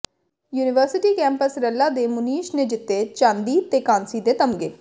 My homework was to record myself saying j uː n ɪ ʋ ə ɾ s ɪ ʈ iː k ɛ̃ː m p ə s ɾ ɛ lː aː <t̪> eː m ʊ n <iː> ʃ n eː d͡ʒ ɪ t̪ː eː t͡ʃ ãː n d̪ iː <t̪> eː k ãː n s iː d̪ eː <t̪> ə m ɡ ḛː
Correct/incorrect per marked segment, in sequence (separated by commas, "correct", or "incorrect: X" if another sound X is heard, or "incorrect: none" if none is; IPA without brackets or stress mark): incorrect: d̪, correct, correct, correct